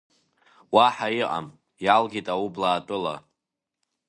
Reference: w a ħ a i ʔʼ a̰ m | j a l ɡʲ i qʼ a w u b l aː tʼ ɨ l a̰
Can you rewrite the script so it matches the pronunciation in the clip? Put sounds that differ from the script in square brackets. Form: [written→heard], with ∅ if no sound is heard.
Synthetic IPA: w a ħ a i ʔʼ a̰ m | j a l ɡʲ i [qʼ→tʼ] a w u b l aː tʼ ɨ l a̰